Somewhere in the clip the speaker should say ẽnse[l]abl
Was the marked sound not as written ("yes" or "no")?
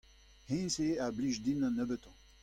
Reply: yes